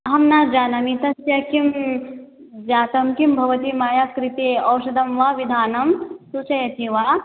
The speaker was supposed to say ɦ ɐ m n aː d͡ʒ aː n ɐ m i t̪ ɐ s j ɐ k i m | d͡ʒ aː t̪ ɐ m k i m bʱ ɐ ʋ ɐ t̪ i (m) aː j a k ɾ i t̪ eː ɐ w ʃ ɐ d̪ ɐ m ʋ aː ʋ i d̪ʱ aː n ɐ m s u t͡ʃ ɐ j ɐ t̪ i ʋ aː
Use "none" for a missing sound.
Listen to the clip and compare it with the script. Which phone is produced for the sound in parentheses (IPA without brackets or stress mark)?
m